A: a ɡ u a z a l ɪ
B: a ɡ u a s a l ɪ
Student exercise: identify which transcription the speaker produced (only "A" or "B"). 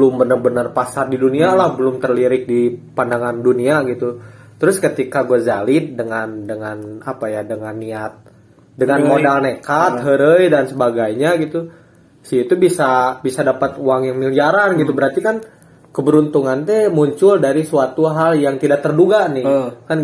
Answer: A